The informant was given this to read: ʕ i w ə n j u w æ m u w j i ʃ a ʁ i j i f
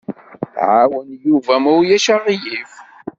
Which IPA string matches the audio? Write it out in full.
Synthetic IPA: ʕ a w ə n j u v æ m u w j æ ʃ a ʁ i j i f